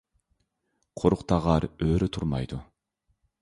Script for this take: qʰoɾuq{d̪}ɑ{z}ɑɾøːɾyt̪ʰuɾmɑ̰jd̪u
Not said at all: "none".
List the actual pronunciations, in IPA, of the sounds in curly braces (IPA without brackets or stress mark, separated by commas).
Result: t̪, ʁ